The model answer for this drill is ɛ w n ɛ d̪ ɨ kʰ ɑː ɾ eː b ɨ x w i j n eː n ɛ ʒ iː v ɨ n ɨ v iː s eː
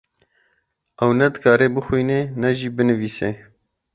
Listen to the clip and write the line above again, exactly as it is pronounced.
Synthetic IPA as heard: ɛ w n ɛ d̪ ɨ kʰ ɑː ɾ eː b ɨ x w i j n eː n ɛ ʒ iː b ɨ n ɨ v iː s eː